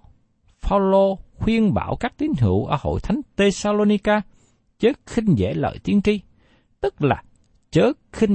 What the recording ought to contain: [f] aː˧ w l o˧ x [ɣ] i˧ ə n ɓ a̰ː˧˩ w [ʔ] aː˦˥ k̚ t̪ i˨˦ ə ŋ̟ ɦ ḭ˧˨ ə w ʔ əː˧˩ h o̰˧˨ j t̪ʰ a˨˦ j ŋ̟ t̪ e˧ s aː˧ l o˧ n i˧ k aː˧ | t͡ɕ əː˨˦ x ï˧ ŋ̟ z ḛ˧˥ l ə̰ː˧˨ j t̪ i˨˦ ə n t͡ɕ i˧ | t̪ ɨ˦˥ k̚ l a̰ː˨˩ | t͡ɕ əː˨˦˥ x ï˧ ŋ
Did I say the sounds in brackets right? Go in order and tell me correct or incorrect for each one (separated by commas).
correct, incorrect, incorrect